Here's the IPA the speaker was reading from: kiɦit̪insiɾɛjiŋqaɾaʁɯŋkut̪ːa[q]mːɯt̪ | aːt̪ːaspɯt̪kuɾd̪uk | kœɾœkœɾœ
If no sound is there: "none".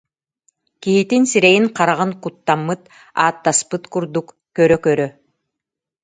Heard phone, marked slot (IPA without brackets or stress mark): none